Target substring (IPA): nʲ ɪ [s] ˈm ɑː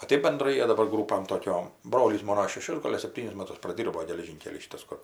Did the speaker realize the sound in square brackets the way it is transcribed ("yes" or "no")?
yes